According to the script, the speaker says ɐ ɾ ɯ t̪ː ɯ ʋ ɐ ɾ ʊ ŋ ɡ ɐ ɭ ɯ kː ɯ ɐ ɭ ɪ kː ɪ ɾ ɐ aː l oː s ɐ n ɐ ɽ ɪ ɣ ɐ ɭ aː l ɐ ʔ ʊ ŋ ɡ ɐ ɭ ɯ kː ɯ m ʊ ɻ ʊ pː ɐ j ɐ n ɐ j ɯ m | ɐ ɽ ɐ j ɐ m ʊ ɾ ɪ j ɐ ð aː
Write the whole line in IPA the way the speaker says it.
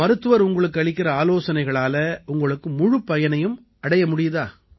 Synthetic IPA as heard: ɐ ɾ ɯ t̪ː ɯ ʋ ɐ ɾ ʊ ŋ ɡ ɐ ɭ ɯ kː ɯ ɐ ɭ ɪ kː ɪ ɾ ɐ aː l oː s ɐ n ɐ ɪ ɣ ɐ ɭ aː l ɐ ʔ ʊ ŋ ɡ ɐ ɭ ɯ kː ɯ m ʊ ɻ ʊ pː ɐ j ɐ n ɐ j ɯ m | ɐ ɽ ɐ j ɐ m ʊ ɽ ɪ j ɐ ð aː